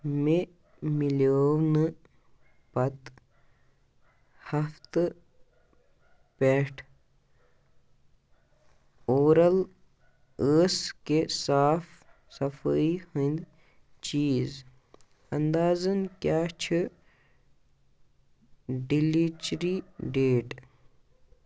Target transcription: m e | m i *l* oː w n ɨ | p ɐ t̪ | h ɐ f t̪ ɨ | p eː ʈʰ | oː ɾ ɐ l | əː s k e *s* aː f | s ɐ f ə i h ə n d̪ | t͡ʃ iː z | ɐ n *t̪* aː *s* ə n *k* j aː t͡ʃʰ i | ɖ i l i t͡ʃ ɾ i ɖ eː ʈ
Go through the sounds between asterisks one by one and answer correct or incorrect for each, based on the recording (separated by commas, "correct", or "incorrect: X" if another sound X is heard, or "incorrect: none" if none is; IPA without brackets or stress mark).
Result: correct, correct, incorrect: d̪, incorrect: z, correct